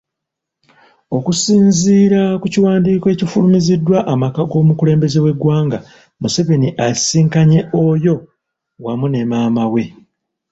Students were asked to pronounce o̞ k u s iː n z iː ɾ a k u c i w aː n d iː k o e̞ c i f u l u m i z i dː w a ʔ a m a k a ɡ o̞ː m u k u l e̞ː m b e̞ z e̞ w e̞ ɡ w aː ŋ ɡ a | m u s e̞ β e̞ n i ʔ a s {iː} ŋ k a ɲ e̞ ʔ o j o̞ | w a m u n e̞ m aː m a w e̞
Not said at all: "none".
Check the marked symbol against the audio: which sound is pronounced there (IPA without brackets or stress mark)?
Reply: iː